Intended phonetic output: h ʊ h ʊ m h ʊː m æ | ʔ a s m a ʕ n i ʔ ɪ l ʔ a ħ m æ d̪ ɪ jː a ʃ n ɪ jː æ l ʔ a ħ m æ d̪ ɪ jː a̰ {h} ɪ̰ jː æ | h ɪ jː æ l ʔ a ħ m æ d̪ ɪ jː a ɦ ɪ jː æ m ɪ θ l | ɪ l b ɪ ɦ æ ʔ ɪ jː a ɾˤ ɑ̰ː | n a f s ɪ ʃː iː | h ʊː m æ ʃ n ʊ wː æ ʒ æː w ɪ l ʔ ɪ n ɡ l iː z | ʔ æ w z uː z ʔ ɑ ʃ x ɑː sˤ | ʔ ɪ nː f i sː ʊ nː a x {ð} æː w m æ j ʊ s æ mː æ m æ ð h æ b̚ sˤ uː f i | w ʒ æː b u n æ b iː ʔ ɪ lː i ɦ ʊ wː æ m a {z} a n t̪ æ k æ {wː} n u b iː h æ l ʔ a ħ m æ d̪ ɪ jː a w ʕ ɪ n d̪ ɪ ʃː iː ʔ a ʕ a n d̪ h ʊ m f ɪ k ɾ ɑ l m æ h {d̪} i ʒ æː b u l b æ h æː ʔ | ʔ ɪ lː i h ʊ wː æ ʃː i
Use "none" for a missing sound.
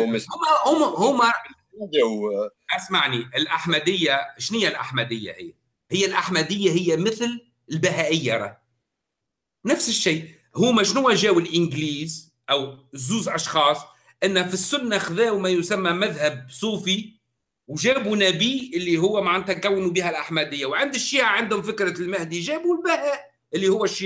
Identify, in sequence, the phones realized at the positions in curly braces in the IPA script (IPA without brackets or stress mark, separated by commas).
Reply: h, ð, ʕ, wː, d̪